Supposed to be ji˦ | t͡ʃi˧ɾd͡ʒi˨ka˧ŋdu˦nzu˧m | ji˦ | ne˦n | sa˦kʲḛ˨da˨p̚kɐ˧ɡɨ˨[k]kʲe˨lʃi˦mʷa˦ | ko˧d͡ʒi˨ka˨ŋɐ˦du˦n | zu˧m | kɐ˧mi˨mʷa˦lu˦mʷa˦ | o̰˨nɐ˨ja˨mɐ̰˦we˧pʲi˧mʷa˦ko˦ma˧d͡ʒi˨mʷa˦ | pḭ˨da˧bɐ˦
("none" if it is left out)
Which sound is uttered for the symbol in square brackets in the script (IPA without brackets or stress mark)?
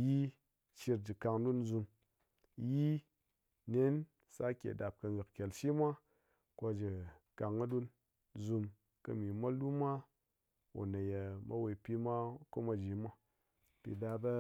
k